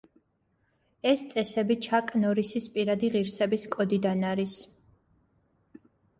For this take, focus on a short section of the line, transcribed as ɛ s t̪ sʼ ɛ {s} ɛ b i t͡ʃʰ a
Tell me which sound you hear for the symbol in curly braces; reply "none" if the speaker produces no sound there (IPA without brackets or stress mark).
s